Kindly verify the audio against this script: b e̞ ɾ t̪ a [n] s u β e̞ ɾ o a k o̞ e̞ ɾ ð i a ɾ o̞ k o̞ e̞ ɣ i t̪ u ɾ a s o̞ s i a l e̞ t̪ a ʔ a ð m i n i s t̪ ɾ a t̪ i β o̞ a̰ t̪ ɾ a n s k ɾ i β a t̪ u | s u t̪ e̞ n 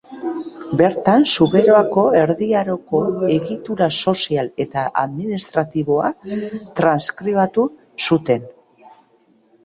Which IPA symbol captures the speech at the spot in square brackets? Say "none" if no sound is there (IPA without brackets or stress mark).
n